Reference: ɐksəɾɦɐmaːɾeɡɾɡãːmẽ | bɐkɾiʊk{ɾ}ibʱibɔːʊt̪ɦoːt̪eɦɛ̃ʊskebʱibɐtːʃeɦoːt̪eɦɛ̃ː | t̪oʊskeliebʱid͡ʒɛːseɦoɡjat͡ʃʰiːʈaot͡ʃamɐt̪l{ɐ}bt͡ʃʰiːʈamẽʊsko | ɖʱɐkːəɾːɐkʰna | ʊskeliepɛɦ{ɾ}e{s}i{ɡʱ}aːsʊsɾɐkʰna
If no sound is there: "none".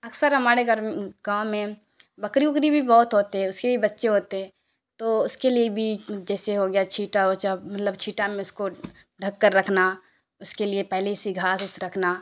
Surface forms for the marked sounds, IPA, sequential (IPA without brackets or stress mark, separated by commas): ɾ, ə, l, s, ɡʱ